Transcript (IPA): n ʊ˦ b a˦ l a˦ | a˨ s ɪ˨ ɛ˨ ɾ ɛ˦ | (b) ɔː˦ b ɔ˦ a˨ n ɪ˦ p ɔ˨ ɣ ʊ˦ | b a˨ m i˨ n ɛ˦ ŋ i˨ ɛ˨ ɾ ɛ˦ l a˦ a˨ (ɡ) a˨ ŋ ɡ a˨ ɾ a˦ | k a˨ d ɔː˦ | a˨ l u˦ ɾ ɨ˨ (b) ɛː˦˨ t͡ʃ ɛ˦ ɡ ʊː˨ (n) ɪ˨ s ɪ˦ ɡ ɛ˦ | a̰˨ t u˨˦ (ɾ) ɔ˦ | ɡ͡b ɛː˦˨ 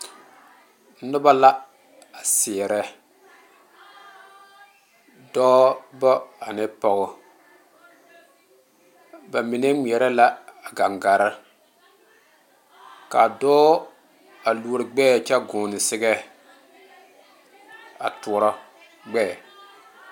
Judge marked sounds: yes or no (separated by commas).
no, yes, no, yes, yes